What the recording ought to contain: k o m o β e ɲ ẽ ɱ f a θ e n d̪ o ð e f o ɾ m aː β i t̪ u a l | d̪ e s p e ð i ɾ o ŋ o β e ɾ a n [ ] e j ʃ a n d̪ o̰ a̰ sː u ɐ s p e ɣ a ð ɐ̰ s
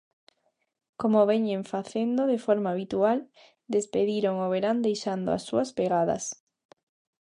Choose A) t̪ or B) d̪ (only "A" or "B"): B